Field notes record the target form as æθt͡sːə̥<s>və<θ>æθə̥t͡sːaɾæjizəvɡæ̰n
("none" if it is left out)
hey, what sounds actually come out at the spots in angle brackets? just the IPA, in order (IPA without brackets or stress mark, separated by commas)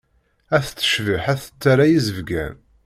ʃ, ħ